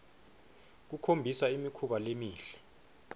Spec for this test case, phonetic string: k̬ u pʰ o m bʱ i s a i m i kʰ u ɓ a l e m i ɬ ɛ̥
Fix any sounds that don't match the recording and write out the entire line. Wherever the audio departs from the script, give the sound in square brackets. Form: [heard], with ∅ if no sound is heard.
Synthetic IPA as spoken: k̬ u [kʰ] o m bʱ i s a i m i kʰ u ɓ a l e m [iː] ɬ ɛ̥